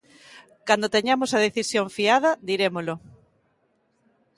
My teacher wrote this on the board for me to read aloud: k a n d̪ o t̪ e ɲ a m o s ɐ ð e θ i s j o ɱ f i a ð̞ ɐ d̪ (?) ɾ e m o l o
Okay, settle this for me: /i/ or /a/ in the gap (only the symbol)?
i